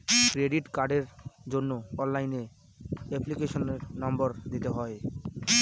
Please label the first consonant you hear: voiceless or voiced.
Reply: voiceless